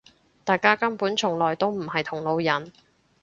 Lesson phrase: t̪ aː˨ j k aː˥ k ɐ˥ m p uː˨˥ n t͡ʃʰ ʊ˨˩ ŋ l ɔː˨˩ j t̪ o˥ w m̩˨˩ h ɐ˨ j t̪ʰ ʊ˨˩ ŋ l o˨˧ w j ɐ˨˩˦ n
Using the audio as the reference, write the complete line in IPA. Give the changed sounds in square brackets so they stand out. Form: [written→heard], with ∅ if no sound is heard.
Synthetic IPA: t̪ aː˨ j k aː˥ k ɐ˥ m p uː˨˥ n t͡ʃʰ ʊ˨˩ ŋ l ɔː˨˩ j t̪ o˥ w m̩˨˩ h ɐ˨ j t̪ʰ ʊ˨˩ ŋ l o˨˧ w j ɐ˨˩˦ n

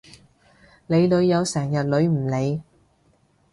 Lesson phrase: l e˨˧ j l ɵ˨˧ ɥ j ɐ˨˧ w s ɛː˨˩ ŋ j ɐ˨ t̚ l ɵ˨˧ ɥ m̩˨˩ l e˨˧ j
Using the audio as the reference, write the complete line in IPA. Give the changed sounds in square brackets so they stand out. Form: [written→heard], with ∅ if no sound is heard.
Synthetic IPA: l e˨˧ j l ɵ˨˧ ɥ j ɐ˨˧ w s ɛː˨˩ ŋ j ɐ˨ t̚ l ɵ˨˧ ɥ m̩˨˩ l e˨˧ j

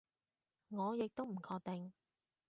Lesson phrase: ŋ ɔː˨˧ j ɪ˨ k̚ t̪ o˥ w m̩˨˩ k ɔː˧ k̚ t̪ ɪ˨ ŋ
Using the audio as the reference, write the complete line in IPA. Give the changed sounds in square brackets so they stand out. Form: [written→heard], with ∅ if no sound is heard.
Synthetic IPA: ŋ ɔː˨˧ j ɪ˨ k̚ t̪ o˥ w m̩˨˩ [k→kʰ] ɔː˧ k̚ t̪ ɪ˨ ŋ

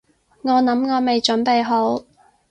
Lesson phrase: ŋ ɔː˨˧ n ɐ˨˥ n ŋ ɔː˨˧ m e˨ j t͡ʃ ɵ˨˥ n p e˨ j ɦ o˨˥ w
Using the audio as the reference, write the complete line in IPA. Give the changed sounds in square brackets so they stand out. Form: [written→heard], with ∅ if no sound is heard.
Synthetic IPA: ŋ ɔː˨˧ n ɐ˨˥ [n→m] ŋ ɔː˨˧ m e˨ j t͡ʃ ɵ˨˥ n p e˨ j ɦ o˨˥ w

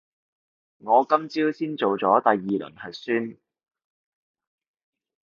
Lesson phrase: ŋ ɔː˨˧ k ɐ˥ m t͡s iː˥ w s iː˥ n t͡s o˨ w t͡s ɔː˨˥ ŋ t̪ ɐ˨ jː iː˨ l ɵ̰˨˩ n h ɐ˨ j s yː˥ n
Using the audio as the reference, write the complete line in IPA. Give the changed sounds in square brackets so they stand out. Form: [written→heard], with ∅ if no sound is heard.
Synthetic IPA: ŋ ɔː˨˧ k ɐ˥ m t͡s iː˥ w s iː˥ n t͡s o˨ w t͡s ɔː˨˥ [ŋ→∅] t̪ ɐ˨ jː iː˨ l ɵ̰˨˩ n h ɐ˨ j s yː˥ n

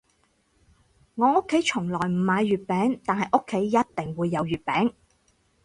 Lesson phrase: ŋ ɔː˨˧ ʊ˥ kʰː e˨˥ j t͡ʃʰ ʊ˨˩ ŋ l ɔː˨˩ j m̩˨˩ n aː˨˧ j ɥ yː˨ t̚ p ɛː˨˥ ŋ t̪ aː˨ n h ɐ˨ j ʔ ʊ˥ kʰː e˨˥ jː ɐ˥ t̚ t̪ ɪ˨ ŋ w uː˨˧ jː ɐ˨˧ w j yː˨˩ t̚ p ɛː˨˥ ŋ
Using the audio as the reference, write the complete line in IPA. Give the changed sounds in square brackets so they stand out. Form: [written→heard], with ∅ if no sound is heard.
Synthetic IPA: ŋ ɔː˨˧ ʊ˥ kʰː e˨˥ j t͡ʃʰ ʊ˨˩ ŋ l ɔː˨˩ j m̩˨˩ [n→m] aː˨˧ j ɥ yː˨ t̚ p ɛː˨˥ ŋ t̪ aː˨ n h ɐ˨ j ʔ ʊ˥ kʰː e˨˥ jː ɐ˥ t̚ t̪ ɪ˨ ŋ w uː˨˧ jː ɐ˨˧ w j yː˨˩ t̚ p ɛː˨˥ ŋ

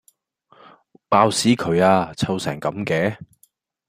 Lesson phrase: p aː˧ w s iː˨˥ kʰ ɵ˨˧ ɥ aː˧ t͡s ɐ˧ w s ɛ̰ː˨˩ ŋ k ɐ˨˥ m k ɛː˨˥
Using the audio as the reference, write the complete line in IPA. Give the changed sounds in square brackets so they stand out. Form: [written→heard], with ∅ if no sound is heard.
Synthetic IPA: p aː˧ w s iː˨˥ kʰ ɵ˨˧ ɥ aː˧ [t͡s→t͡sʰ] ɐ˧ w s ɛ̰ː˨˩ ŋ k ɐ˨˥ m k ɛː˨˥

